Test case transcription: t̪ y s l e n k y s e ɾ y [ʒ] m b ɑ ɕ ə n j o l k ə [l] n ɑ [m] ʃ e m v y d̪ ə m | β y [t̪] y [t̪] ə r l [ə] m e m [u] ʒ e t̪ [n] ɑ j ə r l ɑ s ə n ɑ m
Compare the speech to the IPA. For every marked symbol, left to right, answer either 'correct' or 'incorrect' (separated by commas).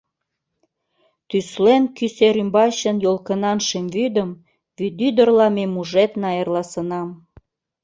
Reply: incorrect, incorrect, incorrect, incorrect, incorrect, incorrect, correct, correct